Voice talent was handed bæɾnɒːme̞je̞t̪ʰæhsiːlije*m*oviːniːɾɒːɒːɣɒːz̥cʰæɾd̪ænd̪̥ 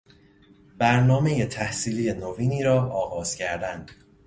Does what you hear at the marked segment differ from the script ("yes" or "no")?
yes